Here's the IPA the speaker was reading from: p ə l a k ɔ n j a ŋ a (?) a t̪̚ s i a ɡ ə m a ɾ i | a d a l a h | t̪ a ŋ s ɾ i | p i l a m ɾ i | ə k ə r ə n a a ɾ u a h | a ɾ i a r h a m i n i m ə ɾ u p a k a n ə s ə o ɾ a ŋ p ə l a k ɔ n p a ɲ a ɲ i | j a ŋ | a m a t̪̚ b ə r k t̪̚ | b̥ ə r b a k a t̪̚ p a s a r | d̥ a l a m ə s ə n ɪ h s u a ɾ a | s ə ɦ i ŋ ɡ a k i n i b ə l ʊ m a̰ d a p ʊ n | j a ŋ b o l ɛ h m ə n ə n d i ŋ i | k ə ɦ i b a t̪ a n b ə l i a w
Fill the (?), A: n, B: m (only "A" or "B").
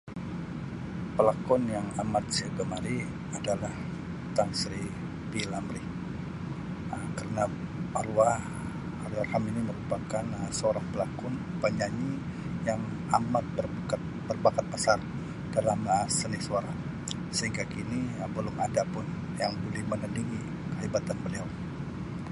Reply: B